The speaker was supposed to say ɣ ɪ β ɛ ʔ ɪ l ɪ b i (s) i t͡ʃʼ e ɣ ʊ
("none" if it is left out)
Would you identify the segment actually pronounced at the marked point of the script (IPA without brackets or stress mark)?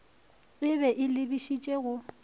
ʃ